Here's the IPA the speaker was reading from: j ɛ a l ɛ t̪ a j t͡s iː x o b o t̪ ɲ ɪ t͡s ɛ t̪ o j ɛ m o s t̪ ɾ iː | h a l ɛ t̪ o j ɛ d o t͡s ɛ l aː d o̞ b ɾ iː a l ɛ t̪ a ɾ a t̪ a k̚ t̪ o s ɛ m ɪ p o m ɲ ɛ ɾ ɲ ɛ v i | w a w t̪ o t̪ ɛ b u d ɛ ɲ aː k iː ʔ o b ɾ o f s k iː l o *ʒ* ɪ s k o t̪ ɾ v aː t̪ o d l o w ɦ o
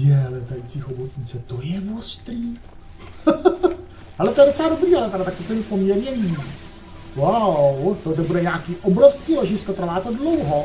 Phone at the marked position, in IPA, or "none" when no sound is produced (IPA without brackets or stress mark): ʒ